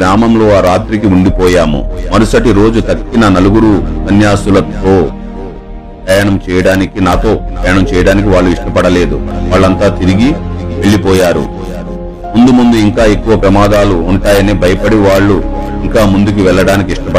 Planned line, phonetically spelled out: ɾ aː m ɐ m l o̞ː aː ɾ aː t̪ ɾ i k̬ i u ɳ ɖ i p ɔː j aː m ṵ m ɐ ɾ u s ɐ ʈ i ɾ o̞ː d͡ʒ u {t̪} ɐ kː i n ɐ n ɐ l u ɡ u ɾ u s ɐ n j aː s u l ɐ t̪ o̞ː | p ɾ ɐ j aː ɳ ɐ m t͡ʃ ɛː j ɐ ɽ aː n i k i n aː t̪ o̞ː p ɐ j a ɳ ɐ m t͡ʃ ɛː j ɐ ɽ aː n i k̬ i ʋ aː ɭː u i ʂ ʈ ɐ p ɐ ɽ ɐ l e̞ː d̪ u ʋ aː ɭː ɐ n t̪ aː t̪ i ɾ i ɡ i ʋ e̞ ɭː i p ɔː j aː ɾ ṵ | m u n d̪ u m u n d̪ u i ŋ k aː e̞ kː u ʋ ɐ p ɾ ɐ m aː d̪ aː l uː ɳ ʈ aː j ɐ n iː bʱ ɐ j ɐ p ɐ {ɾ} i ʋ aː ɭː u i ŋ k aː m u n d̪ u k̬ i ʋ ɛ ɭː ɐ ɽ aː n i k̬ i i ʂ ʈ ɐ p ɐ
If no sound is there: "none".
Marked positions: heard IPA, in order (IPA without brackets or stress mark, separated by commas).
t̪, ɽ